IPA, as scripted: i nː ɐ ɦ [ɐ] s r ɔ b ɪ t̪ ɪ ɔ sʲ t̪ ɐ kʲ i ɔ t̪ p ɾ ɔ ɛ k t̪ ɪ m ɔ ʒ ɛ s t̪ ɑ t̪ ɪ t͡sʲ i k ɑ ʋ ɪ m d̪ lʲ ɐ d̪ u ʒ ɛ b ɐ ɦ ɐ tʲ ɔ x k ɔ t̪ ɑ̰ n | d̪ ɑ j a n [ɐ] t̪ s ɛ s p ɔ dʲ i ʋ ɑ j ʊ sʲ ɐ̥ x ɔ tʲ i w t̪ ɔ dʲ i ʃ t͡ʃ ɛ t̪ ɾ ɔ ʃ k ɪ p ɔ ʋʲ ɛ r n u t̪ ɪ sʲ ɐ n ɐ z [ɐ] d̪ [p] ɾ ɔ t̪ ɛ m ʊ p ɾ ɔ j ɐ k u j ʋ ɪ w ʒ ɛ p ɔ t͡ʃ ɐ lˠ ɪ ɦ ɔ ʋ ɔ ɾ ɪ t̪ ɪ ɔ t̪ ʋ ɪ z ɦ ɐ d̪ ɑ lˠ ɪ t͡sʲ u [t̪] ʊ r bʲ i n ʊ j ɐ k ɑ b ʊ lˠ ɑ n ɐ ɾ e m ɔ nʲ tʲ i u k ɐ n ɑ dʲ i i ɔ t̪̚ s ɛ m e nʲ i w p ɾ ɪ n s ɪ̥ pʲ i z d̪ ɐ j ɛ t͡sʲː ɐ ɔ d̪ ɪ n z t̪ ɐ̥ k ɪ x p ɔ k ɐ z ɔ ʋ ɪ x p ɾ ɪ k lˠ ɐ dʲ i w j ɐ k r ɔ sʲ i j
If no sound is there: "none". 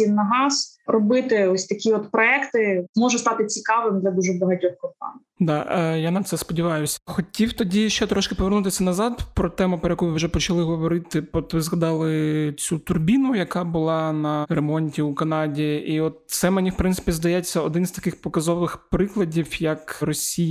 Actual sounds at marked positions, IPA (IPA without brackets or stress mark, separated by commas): ɑ, ɐ, ɑ, p, t̪